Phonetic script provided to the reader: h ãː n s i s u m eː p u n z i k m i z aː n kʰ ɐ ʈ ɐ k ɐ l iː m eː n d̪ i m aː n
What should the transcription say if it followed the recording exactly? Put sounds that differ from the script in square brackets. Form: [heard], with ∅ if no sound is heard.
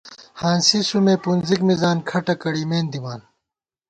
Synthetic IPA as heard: h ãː n s i s u m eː p u n z i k m i z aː n kʰ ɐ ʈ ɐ k ɐ [ɽ] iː m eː n d̪ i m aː n

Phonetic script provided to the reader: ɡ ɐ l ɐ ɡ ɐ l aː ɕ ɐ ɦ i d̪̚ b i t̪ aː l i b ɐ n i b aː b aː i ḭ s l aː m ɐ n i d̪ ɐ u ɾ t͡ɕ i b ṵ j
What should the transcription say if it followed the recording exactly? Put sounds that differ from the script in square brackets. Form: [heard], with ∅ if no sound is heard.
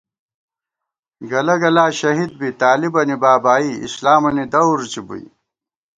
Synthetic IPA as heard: ɡ ɐ l ɐ ɡ ɐ l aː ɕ ɐ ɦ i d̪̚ b i t̪ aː l i b ɐ n i b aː b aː i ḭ s l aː m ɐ n i d̪ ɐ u ɾ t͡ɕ i b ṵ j

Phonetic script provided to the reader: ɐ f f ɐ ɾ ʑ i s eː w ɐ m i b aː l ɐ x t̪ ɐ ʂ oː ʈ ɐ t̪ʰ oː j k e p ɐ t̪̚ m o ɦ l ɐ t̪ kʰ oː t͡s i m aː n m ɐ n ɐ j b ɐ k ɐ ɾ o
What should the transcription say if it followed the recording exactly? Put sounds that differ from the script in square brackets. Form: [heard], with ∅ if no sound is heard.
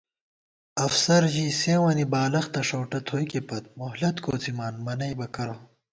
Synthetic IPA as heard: ɐ f [s] ɐ ɾ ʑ i s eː w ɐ [n] i b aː l ɐ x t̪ ɐ ʂ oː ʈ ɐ t̪ʰ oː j k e p ɐ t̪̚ m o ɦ l ɐ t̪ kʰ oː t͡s i m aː n m ɐ n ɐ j b ɐ k ɐ ɾ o

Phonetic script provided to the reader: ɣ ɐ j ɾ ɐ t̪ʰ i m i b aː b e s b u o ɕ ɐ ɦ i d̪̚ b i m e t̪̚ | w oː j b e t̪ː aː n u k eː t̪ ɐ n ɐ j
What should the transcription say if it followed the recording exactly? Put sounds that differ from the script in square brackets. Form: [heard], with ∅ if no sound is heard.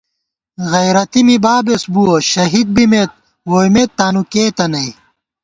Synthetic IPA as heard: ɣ ɐ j ɾ ɐ [t̪] i m i b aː b e s b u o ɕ ɐ ɦ i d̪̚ b i m e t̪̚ | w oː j [m] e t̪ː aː n u k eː t̪ ɐ n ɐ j

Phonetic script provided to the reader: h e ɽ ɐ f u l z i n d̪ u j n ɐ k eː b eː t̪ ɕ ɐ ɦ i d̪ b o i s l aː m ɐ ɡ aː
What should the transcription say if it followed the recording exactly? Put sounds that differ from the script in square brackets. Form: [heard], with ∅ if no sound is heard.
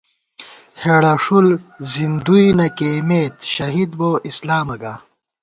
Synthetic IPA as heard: h e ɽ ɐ [ʂ] u l z i n d̪ u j n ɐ k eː [m] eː t̪ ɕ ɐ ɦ i d̪ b o i s l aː m ɐ ɡ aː

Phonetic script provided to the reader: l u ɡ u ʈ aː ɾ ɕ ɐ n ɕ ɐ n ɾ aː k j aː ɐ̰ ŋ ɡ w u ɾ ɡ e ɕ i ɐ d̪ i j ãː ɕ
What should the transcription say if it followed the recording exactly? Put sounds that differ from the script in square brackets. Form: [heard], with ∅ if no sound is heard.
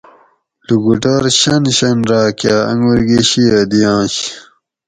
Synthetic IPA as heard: l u ɡ u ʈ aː ɾ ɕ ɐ n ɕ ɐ n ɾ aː k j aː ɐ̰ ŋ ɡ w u ɾ ɡ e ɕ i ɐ d̪ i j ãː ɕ

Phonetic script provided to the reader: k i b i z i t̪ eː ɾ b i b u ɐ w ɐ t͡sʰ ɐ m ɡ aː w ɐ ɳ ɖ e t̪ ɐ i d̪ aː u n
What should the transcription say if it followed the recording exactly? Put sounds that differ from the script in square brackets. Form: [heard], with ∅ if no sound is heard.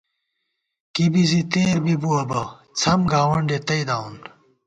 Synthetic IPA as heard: k i b i z i t̪ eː ɾ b i b u ɐ [b] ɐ t͡sʰ ɐ m ɡ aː w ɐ ɳ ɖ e t̪ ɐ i d̪ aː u n

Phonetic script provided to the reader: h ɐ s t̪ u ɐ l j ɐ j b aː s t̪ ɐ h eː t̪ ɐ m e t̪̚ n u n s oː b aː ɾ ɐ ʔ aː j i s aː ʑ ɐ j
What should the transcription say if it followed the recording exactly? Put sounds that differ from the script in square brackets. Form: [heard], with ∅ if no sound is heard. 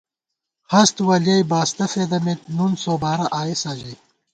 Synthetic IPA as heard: h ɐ s t̪ [w] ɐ l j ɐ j b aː s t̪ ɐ [f] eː [d̪] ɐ m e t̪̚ n u n s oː b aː ɾ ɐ ʔ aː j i s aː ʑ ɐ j

